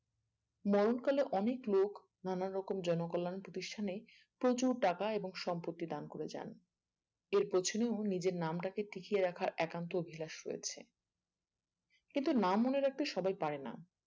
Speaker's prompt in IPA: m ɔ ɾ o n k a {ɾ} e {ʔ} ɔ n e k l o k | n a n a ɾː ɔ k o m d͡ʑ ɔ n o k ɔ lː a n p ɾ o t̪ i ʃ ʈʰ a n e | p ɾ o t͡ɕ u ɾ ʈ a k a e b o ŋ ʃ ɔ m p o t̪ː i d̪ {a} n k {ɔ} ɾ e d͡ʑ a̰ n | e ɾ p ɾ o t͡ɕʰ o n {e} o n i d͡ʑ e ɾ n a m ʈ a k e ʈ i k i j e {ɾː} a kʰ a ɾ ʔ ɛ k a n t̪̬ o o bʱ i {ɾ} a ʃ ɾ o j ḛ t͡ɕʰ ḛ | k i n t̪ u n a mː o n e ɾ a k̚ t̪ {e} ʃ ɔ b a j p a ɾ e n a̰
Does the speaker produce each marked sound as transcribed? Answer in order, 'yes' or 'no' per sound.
no, yes, yes, no, yes, no, no, yes

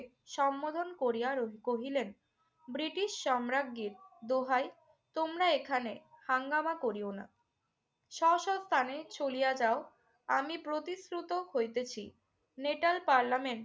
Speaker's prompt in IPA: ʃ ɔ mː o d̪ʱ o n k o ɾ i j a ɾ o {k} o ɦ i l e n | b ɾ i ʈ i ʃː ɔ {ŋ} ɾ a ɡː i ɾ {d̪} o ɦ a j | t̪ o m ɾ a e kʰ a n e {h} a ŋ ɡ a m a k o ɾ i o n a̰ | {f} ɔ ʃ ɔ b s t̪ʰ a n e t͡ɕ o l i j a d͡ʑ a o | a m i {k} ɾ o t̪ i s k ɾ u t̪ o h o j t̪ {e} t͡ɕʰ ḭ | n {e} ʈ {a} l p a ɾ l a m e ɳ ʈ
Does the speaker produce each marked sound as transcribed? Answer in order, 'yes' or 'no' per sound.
yes, no, yes, yes, no, no, yes, yes, yes

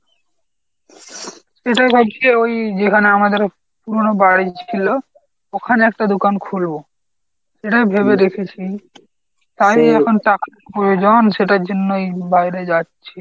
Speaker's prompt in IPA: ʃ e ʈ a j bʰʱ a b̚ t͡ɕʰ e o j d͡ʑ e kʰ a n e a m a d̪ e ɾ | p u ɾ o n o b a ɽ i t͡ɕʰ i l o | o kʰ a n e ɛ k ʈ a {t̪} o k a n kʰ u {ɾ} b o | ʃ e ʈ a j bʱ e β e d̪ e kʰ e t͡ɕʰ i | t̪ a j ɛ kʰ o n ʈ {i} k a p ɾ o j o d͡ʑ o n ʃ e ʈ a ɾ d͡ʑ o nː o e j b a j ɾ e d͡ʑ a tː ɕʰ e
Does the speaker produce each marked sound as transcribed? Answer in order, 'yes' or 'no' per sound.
no, no, no

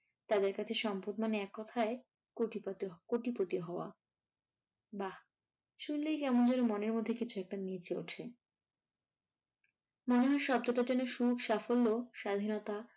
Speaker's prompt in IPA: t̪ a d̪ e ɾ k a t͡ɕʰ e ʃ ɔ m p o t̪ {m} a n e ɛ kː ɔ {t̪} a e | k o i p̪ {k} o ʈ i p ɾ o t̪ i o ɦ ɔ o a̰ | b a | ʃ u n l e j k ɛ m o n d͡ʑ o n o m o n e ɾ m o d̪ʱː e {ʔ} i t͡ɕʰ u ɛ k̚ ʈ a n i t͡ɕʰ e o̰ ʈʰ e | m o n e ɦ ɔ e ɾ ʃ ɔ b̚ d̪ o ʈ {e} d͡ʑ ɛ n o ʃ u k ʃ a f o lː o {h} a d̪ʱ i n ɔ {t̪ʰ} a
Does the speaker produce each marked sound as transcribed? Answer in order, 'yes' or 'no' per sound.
yes, no, yes, no, no, no, no

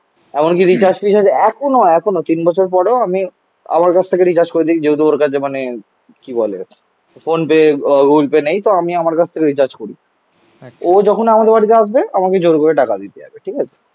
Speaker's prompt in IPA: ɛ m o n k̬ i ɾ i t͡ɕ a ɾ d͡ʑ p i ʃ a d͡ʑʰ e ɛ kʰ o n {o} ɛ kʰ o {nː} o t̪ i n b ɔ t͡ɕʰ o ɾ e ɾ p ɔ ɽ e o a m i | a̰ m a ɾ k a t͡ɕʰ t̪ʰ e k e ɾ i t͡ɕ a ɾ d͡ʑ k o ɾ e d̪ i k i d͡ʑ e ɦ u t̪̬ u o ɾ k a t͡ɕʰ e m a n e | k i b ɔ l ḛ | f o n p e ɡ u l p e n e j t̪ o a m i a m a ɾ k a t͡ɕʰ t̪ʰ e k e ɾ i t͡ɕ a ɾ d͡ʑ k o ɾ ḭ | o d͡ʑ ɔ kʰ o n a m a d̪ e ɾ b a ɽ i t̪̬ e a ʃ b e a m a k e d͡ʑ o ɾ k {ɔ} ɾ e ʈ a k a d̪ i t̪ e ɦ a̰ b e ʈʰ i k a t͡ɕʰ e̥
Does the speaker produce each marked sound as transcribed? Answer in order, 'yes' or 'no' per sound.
yes, no, no

